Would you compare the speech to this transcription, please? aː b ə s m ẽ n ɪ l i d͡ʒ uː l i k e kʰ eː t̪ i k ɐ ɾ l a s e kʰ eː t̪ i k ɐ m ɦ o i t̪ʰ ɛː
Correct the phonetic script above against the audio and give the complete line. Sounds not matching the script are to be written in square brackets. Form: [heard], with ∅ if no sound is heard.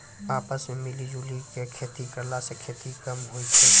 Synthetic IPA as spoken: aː [p] ə s m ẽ [m] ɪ l i d͡ʒ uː l i k e kʰ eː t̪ i k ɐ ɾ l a s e kʰ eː t̪ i k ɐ m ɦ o i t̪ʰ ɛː